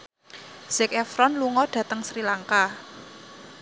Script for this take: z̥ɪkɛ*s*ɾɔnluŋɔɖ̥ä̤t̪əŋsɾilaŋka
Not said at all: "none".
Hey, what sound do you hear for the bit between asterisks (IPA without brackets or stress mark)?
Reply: f